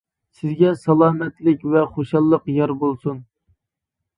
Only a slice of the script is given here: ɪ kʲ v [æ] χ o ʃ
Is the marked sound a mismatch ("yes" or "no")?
yes